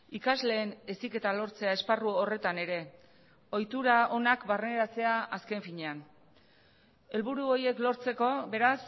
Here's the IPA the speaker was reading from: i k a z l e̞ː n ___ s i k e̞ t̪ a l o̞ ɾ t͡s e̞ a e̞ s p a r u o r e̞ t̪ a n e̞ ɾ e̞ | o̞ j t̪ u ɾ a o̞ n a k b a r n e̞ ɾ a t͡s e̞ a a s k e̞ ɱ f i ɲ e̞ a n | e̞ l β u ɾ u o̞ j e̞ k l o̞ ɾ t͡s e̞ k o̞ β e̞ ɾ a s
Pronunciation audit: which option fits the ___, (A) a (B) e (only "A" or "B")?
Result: B